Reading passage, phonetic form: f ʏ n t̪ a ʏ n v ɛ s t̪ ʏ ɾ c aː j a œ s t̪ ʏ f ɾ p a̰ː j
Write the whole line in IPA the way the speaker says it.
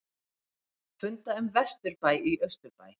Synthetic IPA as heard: f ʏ n t̪ a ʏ m v ɛ s t̪ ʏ ɾ p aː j i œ s t̪ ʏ ɾ p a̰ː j